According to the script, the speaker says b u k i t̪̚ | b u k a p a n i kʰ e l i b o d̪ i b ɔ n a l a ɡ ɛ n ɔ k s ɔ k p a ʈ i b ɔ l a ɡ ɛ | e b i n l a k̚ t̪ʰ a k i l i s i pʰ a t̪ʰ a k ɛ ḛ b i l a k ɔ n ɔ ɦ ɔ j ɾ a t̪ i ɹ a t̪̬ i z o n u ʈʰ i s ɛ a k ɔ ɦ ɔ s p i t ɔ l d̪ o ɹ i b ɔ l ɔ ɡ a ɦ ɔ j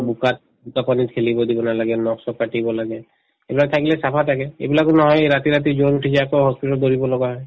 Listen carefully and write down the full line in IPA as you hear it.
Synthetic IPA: b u k a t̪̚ | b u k a p a n i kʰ e l i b ɔ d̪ i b ɔ n a l a ɡ ɛ n ɔ k s ɔ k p a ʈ i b ɔ l a ɡ ɛ | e b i l a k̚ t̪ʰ a k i l ɛ s a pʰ a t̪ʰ a k ɛ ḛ b i l a k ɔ n ɔ ɦ ɔ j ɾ a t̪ i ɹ a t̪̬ i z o n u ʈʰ i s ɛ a k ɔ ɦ ɔ s p i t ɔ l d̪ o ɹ i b ɔ l ɔ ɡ a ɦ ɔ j